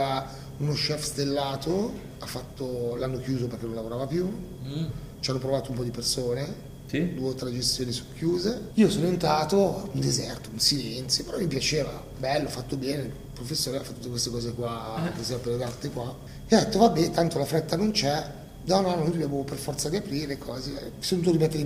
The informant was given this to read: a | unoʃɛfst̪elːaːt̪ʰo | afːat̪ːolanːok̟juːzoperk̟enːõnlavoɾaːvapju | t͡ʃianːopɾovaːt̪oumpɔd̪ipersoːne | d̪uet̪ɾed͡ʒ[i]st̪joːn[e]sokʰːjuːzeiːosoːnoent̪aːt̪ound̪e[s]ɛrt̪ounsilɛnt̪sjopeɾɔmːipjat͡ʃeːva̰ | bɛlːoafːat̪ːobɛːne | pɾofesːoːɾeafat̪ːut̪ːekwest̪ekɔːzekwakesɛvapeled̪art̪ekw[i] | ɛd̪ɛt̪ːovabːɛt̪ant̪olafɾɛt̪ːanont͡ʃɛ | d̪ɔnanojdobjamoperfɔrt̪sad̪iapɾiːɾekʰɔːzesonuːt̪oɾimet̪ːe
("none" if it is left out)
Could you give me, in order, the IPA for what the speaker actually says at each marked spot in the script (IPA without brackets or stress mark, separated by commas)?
e, i, z, a